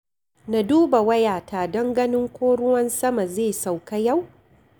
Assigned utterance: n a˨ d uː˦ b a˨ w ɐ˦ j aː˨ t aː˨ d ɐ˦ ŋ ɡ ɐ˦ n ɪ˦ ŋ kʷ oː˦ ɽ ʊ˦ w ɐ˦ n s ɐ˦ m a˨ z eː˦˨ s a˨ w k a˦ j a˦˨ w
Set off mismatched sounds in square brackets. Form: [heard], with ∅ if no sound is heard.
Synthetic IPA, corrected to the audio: n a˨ d uː˦ b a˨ w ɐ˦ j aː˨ t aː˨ d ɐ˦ ŋ ɡ ɐ˦ n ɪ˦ ŋ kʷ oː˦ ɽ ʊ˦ w ɐ˦ n s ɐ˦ m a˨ z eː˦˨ s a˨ w k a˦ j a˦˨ w

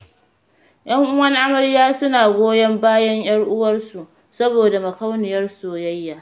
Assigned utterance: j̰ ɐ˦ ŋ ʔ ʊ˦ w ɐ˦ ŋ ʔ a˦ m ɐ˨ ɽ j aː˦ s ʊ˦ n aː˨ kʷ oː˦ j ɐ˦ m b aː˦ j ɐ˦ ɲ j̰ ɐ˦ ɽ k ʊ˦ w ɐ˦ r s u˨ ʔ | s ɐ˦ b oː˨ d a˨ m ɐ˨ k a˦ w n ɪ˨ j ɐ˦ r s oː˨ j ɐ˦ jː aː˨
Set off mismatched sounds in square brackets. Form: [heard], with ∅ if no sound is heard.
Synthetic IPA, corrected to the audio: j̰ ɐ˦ ŋ ʔ ʊ˦ w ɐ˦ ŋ ʔ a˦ m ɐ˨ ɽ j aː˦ s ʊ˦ n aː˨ [ɡʷ] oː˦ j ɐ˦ m b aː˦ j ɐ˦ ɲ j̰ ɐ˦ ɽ [ʔ] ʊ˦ w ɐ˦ r s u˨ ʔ | s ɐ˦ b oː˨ d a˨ m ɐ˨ k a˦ w n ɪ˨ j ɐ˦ r s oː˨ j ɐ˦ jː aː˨

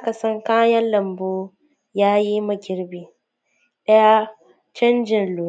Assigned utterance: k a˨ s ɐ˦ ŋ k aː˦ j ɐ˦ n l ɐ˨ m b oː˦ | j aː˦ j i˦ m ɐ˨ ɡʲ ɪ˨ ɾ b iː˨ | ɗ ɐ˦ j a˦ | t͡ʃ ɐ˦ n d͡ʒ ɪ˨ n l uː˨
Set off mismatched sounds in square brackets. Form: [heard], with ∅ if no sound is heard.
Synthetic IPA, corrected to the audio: k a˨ s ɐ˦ ŋ k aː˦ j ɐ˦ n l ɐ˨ m b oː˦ | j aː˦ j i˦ m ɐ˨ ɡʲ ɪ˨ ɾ b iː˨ | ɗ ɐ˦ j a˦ | t͡ʃ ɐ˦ n d͡ʒ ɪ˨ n l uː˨

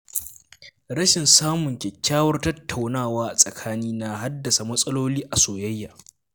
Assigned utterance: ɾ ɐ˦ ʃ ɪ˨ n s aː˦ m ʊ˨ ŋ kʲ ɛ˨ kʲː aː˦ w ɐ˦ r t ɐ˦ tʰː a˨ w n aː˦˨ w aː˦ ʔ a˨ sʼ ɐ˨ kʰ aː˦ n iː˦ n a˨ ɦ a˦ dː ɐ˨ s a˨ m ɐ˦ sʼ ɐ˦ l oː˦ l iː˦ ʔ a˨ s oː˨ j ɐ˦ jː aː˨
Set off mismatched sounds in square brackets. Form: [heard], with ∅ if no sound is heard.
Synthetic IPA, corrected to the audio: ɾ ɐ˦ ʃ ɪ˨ n s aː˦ m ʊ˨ ŋ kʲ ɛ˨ kʲː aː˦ w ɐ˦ r t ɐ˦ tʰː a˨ w n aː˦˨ w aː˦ ʔ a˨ sʼ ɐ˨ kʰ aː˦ n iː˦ n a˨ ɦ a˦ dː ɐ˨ s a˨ m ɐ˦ sʼ ɐ˦ l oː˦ l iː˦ ʔ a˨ s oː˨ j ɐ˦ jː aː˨

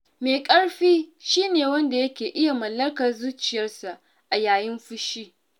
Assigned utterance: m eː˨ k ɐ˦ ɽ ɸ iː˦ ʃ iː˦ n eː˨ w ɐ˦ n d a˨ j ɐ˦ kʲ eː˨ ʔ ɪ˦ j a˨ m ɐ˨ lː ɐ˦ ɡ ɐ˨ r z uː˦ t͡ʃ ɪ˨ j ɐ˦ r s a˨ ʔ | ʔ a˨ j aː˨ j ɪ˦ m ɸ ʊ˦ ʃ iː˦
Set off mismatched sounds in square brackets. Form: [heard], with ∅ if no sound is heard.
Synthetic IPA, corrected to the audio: m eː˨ [kʼ] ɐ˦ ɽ ɸ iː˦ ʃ iː˦ n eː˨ w ɐ˦ n d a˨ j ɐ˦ kʲ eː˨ ʔ ɪ˦ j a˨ m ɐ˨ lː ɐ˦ [k] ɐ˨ r z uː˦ t͡ʃ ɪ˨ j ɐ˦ r s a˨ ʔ | ʔ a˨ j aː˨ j ɪ˦ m ɸ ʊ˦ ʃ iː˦

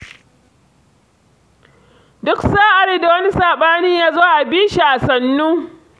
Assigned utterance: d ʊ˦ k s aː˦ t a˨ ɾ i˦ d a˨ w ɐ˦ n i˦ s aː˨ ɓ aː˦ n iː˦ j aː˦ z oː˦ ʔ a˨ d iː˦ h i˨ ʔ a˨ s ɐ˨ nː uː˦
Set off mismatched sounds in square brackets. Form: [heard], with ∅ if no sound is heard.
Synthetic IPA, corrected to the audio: d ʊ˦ k s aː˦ [ʔ] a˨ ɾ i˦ d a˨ w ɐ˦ n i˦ s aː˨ ɓ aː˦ n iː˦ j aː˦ z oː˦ ʔ a˨ [b] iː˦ [ʃ] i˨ ʔ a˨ s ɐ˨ nː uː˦

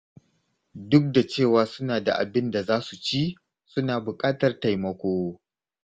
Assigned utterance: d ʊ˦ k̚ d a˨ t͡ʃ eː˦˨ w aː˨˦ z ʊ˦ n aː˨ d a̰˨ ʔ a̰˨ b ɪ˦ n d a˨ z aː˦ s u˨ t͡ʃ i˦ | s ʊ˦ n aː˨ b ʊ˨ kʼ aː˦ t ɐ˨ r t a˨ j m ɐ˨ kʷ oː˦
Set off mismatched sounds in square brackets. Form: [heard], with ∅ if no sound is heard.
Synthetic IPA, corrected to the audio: d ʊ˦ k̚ d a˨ t͡ʃ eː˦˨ w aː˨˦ [s] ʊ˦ n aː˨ d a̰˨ ʔ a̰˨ b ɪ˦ n d a˨ z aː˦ s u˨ t͡ʃ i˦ | s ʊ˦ n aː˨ b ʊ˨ kʼ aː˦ t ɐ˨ r t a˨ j m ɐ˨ kʷ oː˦

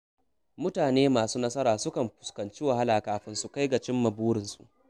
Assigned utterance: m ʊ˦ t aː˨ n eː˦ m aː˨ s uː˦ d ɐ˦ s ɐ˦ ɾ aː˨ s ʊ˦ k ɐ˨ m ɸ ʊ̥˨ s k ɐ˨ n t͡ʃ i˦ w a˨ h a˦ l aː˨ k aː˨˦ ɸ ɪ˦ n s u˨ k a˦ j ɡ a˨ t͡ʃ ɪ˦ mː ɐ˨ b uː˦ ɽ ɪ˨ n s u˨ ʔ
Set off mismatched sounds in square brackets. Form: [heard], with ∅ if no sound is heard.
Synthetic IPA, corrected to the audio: m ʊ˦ t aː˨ n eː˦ m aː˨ s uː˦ [n] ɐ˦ s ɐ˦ ɾ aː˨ s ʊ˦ k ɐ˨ m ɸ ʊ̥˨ s k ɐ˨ n t͡ʃ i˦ w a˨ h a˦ l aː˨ k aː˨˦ ɸ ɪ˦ n s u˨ k a˦ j ɡ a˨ t͡ʃ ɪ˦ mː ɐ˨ b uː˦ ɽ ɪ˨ n s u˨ ʔ

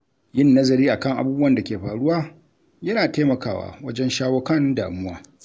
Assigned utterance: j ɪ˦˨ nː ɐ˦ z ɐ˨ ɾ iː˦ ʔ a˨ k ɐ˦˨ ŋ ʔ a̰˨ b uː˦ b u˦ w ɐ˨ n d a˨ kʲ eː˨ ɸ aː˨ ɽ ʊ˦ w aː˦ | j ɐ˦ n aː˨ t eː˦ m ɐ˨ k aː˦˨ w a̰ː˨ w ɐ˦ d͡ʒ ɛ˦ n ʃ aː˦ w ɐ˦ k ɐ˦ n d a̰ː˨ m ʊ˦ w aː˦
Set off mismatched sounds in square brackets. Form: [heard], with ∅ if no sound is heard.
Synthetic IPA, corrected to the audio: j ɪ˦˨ nː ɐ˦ z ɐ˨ ɾ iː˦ ʔ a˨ k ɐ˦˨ ŋ ʔ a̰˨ b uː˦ b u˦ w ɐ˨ n d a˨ kʲ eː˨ ɸ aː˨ ɽ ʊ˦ w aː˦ | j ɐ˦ n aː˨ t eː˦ m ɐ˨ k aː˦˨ w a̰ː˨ w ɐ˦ d͡ʒ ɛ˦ n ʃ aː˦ w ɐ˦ k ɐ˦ n d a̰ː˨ m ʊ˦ w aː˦

